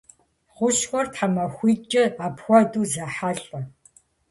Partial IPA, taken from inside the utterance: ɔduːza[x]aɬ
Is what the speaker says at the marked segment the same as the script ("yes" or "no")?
no